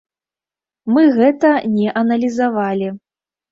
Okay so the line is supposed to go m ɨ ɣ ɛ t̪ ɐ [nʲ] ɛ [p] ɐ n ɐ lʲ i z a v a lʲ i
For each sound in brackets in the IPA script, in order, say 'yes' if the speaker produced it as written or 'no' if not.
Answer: yes, no

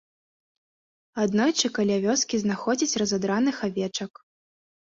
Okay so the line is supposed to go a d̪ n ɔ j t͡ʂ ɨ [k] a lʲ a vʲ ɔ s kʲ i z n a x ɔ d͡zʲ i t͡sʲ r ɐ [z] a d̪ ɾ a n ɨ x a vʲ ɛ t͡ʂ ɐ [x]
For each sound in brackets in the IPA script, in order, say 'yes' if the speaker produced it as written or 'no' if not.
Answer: yes, yes, no

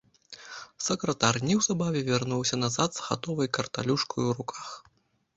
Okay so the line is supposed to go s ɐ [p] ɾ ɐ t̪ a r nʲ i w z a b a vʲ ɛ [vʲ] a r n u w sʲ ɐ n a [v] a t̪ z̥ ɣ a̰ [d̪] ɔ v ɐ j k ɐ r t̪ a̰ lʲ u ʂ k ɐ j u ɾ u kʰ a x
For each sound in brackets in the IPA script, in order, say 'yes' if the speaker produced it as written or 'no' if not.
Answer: no, yes, no, no

